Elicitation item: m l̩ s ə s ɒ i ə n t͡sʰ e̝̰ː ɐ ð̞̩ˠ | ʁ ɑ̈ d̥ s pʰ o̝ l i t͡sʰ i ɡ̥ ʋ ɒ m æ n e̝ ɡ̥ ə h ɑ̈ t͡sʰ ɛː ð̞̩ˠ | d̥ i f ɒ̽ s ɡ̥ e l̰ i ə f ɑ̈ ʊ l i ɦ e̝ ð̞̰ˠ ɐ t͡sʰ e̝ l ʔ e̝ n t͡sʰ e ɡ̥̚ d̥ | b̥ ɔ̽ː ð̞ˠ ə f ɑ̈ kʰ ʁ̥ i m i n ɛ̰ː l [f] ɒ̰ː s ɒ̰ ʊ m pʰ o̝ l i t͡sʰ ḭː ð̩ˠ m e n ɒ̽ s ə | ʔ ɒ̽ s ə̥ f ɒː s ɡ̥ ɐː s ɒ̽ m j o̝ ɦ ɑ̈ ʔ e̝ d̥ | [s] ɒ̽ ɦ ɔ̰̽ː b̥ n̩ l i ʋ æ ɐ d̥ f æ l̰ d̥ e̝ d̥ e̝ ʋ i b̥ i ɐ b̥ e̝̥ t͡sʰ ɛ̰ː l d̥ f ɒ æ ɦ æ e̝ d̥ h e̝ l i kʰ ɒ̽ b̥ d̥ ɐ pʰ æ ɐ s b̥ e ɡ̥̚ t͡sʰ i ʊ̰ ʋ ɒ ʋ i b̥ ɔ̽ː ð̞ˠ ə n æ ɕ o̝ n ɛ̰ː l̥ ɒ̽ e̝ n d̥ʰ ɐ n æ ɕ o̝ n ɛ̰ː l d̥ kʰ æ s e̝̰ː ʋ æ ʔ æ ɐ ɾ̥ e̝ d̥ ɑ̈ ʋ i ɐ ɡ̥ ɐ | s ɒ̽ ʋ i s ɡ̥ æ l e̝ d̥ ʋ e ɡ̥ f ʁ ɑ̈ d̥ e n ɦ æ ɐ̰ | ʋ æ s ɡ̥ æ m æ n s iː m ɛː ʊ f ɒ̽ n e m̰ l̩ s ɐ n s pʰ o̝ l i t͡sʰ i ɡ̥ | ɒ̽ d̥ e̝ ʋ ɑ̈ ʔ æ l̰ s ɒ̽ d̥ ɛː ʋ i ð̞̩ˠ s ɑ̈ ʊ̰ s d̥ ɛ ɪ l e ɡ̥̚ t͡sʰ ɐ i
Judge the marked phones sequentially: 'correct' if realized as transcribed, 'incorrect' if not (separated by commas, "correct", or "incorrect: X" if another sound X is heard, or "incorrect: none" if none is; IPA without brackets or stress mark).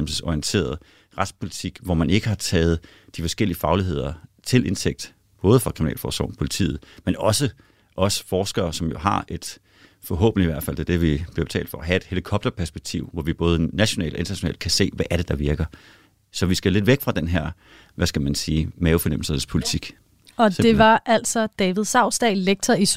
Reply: correct, incorrect: f